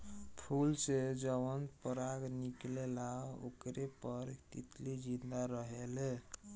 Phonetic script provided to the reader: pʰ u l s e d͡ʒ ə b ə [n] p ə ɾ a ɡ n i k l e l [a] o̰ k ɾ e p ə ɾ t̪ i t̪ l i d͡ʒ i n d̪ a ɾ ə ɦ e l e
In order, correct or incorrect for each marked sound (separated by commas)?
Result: correct, correct